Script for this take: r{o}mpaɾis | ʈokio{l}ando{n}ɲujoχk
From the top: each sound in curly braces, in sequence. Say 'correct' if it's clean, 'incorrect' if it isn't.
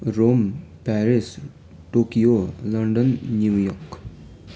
correct, correct, correct

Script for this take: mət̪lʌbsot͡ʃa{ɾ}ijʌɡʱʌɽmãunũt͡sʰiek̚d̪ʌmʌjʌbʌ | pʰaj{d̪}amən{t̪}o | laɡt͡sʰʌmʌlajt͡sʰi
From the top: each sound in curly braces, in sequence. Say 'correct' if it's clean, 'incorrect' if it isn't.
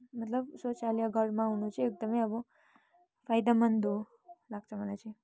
incorrect, correct, incorrect

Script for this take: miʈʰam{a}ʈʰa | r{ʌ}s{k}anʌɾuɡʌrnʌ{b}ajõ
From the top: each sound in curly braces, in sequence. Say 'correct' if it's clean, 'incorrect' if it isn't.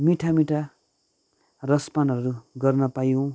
incorrect, correct, incorrect, incorrect

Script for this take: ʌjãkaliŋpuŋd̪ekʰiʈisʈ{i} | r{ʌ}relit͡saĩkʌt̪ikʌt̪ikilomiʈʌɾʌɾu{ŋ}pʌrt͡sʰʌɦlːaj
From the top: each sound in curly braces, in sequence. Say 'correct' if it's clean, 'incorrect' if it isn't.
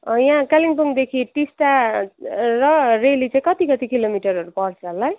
incorrect, correct, incorrect

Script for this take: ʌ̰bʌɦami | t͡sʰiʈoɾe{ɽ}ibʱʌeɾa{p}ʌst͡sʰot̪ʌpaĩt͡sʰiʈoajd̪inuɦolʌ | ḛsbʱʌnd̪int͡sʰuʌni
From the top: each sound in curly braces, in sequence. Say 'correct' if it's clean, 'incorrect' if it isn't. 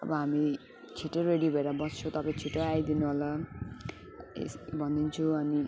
correct, incorrect

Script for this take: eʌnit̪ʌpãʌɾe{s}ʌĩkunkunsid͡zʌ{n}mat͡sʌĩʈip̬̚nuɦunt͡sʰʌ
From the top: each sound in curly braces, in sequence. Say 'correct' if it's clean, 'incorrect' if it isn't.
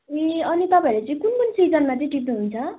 incorrect, correct

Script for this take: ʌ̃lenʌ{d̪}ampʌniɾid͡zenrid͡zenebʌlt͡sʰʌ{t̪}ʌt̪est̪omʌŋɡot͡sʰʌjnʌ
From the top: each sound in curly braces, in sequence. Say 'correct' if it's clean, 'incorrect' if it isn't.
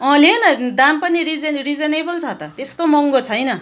correct, correct

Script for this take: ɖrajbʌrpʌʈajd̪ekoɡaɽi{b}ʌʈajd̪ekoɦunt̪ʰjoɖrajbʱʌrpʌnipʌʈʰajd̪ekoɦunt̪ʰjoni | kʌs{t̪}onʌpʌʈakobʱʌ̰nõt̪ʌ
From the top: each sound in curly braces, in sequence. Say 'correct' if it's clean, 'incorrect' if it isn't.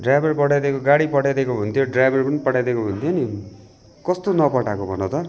incorrect, correct

